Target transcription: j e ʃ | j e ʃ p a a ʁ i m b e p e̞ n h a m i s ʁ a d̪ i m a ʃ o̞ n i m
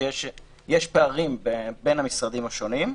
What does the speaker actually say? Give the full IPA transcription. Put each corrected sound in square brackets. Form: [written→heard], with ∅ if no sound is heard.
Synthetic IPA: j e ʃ | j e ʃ p [a→e] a ʁ i m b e [p→b] e̞ n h a m i s ʁ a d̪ i m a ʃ o̞ n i m